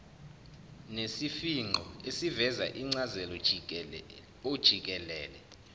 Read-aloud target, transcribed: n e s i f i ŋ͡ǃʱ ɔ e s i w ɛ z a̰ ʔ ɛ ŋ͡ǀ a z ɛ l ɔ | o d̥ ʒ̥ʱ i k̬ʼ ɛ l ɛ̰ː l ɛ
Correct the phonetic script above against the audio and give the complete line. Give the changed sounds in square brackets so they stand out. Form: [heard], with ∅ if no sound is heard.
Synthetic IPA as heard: n e s i f i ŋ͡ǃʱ ɔ e s i [v] ɛ z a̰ ʔ [i] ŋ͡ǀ a z ɛ l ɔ | o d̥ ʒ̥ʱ i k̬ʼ ɛ l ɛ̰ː l ɛ